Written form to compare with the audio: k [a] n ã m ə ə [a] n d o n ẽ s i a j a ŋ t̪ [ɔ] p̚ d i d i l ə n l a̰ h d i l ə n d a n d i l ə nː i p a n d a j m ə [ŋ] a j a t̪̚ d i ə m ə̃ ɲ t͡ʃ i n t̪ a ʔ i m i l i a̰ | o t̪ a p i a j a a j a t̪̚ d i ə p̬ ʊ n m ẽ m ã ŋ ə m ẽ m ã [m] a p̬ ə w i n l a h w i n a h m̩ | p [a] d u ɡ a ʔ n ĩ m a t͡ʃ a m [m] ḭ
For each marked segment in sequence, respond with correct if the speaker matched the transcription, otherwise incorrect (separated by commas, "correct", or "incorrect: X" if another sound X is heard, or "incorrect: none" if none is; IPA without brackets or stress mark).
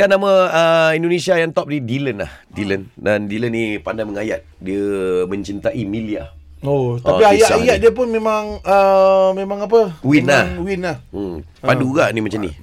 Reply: correct, incorrect: i, correct, correct, incorrect: ŋ, correct, incorrect: n